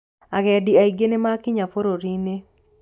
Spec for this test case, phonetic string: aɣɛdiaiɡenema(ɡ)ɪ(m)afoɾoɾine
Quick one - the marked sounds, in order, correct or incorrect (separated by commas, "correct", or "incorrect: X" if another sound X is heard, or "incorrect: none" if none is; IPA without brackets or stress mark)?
incorrect: k, incorrect: ɲ